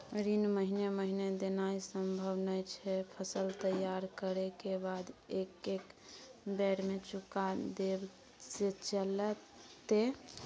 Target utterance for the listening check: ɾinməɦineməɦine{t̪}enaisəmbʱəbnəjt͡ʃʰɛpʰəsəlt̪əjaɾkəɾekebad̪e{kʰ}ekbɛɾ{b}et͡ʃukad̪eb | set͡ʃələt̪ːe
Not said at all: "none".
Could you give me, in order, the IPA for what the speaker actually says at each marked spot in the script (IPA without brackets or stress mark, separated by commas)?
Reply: d̪, k, m